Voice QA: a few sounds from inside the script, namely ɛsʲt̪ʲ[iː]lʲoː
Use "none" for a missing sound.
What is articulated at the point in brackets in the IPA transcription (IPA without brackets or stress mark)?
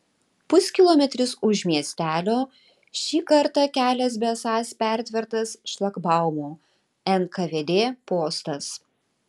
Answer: æː